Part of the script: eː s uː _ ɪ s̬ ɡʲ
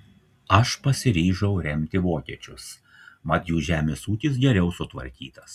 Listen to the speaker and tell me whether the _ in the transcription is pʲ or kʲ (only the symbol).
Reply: kʲ